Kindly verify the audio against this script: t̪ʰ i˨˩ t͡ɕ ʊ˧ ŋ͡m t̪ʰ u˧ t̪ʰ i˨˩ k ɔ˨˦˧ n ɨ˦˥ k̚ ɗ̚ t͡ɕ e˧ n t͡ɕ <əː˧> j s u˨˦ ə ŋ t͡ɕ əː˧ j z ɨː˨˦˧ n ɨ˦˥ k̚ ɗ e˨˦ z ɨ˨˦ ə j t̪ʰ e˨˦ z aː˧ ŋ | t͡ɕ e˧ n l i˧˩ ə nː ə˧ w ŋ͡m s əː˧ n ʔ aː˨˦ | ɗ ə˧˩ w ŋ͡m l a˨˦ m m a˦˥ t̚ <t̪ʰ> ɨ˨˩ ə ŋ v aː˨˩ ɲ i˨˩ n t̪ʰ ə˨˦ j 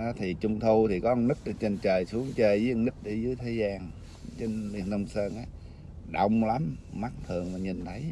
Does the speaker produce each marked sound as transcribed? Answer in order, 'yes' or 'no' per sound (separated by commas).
no, yes